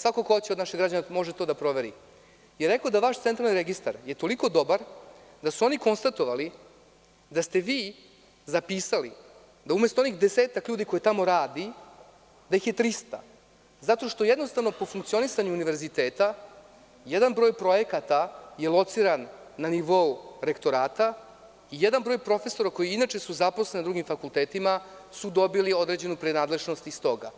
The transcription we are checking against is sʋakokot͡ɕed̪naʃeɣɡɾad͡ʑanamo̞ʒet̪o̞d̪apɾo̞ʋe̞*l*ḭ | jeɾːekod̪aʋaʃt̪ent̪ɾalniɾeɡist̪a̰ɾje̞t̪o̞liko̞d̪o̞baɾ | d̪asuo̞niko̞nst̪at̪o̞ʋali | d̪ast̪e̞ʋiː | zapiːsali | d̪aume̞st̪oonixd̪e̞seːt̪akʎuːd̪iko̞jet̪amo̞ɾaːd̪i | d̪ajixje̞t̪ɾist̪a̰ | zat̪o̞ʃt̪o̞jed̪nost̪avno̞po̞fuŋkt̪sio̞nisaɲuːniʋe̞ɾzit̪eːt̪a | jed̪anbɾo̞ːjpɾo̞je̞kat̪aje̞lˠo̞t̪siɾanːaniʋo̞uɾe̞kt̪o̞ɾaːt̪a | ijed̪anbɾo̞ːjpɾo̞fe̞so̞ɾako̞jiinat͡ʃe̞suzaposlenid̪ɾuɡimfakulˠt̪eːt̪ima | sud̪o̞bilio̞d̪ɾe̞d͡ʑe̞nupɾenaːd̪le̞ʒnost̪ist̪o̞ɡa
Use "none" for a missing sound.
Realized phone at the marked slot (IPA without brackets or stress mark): ɾ